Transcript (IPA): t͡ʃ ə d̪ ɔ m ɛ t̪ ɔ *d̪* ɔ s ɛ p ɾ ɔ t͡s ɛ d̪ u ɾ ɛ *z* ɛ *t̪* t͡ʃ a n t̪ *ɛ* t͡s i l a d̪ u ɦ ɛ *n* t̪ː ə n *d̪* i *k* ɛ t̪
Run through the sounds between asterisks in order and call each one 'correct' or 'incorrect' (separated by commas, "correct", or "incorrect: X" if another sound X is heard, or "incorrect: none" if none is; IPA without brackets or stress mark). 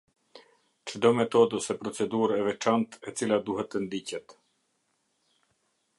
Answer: correct, incorrect: v, incorrect: none, correct, incorrect: none, correct, incorrect: c